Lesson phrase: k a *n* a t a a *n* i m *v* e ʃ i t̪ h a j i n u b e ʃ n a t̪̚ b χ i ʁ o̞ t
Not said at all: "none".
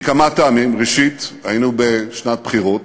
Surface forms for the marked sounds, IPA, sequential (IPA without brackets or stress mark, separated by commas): m, m, ʁ